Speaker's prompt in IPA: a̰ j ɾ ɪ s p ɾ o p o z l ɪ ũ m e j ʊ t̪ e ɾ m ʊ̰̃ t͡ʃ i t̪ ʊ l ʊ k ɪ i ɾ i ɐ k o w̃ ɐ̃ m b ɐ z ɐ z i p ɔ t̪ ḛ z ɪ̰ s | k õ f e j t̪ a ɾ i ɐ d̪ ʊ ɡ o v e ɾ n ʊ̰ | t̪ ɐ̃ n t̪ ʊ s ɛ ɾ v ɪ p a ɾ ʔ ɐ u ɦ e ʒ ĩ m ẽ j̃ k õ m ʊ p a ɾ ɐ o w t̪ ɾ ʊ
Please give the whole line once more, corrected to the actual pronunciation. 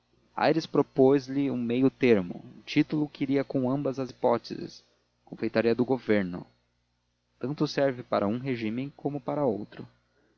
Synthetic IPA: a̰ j ɾ ɪ s p ɾ o p o z l ɪ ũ m e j ʊ t̪ e ɾ m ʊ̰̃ t͡ʃ i t̪ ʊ l ʊ k ɪ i ɾ i ɐ k õ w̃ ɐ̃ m b ɐ z ɐ z i p ɔ t̪ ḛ z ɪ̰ s | k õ f e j t̪ a ɾ i ɐ d̪ ʊ ɡ o v e ɾ n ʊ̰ | t̪ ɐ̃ n t̪ ʊ s ɛ ɾ v ɪ p a ɾ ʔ ɐ ũ ɦ e ʒ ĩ m ẽ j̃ k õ m ʊ p a ɾ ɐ o w t̪ ɾ ʊ

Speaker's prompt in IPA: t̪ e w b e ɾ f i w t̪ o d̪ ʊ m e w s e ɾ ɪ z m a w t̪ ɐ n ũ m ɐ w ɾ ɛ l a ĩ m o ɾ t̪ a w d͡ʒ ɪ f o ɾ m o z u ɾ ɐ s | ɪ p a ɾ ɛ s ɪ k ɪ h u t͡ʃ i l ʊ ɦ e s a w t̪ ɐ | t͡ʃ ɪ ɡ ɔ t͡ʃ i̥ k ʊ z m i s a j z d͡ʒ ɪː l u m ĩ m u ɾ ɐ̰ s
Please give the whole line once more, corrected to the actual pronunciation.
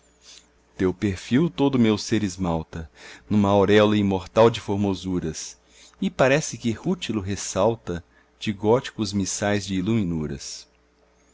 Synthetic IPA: t̪ e w p e ɾ f i w t̪ o d̪ ʊ m e w s e ɾ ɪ z m a w t̪ ɐ n ũ m ɐ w ɾ ɛ l ɐ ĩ m o ɾ t̪ a w d͡ʒ ɪ f o ɾ m o z u ɾ ɐ s | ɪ p a ɾ ɛ s ɪ k ɪ h u t͡ʃ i l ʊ ɦ e s a w t̪ ɐ | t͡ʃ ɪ ɡ ɔ t͡ʃ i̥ k ʊ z m i s a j z d͡ʒ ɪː l u m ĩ n u ɾ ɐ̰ s

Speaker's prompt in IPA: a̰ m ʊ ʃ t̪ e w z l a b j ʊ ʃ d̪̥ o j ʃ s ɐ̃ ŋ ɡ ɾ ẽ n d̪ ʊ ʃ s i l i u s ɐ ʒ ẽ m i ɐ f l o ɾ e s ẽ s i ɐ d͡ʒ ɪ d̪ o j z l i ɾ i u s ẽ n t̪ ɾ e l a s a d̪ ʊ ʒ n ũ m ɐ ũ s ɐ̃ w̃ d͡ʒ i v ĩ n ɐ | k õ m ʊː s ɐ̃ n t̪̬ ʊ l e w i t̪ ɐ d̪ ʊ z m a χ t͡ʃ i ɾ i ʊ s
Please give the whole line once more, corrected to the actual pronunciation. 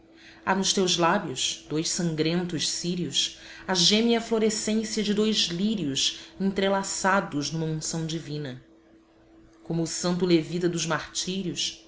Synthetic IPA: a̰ n ʊ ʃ t̪ e w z l a b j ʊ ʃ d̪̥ o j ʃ s ɐ̃ ŋ ɡ ɾ ẽ n t̪ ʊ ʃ s i ɾ i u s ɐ ʒ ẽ m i ɐ f l o ɾ e s ẽ s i ɐ d͡ʒ ɪ d̪ o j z l i ɾ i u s ẽ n t̪ ɾ e l a s a d̪ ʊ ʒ n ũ m ɐ ũ s ɐ̃ w̃ d͡ʒ i v ĩ n ɐ | k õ m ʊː s ɐ̃ n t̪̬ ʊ l e v i t̪ ɐ d̪ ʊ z m a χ t͡ʃ i ɾ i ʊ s

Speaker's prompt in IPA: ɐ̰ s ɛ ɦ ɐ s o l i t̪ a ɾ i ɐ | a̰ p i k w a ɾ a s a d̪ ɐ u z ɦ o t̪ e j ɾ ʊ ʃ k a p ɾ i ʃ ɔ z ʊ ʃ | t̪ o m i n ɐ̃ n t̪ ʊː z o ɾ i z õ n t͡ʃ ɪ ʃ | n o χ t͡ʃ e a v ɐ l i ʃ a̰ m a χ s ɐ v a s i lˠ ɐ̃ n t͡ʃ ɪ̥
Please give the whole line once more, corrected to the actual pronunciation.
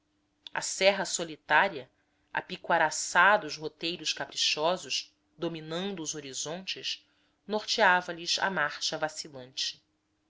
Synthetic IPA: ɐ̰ s ɛ ɦ ɐ s o l i t̪ a ɾ i ɐ | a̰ p i k w a ɾ a s a d̪ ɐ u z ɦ o t̪ e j ɾ ʊ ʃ k a p ɾ i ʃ ɔ z ʊ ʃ | d̪ o m i n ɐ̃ n d̪ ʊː z o ɾ i z õ n t͡ʃ ɪ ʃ | n o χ t͡ʃ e a v ɐ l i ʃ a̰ m a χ ʃ ɐ v a s i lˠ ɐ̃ n t͡ʃ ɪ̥

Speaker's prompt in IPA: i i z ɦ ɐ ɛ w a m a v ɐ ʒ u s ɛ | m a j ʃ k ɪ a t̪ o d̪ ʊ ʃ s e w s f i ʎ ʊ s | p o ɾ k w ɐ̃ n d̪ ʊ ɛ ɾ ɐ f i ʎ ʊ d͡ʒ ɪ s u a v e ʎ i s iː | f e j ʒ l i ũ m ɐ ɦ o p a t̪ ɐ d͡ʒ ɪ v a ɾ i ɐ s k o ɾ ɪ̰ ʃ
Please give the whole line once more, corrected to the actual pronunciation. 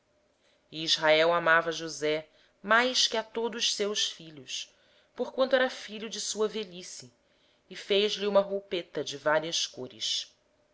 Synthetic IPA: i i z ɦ a ɛ w a m a v ɐ ʒ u z ɛ | m a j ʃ k ɪ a t̪ o d̪ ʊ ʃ s e w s f i ʎ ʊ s | p o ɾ k w ɐ̃ n t̪ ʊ ɛ ɾ ɐ f i ʎ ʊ d͡ʒ ɪ s u ɐ v e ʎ i s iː | f e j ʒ l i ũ m ɐ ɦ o p e t̪ ɐ d͡ʒ ɪ v a ɾ i ɐ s k o ɾ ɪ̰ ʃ

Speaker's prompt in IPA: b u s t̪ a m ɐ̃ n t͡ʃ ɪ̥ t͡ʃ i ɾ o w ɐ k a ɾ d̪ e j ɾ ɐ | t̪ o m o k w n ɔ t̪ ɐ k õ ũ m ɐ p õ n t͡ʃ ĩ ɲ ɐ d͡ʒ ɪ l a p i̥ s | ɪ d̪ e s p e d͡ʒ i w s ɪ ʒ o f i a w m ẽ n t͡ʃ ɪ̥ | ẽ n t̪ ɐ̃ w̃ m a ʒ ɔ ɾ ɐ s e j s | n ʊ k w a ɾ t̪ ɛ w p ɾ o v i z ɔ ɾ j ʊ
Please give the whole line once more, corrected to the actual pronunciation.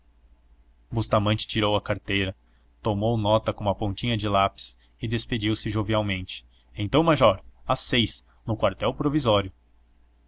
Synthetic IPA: b u s t̪ a m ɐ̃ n t͡ʃ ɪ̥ t͡ʃ i ɾ o w ɐ k a ɾ t̪ e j ɾ ɐ | t̪ o m o w n ɔ t̪ ɐ k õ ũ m ɐ p õ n t͡ʃ ĩ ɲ ɐ d͡ʒ ɪ l a p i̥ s | ɪ d̪ e s p e d͡ʒ i w s ɪ ʒ o v i a w m ẽ n t͡ʃ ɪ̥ | ẽ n t̪ ɐ̃ w̃ m a ʒ ɔ ɾ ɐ s e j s | n ʊ k w a ɾ t̪ ɛ w p ɾ o v i z ɔ ɾ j ʊ

